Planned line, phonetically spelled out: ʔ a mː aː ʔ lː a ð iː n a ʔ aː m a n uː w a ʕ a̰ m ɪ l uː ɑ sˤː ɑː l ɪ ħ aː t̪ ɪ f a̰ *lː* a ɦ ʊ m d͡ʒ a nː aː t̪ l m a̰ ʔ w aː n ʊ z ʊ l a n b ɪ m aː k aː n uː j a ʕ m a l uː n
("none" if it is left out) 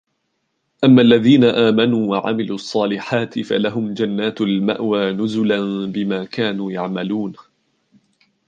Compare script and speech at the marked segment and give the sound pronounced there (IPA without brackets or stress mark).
l